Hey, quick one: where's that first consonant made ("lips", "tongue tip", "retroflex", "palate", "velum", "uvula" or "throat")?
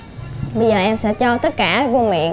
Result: lips